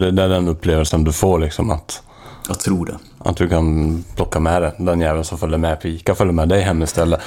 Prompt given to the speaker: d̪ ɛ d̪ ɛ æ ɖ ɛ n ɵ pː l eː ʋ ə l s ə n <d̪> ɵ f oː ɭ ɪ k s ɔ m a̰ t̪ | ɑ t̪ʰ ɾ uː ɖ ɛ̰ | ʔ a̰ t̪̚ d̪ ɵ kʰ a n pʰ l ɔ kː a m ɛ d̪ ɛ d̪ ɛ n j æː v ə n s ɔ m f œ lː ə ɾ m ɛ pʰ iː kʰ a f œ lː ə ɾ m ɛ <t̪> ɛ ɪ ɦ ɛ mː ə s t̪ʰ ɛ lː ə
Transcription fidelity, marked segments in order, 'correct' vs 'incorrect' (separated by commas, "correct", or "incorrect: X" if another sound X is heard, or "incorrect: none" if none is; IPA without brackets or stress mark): correct, incorrect: d̪